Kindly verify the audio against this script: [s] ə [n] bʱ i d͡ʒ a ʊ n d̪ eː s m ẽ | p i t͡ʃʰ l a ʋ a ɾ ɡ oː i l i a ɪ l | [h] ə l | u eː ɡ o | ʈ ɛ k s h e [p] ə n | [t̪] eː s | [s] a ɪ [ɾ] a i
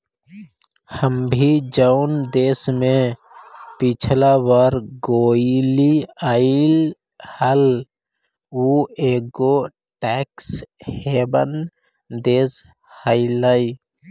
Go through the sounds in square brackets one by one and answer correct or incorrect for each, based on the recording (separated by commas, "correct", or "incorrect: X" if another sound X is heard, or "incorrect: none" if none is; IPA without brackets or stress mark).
incorrect: h, incorrect: m, correct, incorrect: b, incorrect: d̪, incorrect: h, incorrect: l